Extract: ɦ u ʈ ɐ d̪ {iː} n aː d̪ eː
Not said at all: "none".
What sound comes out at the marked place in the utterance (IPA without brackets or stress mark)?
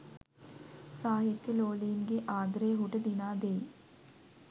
i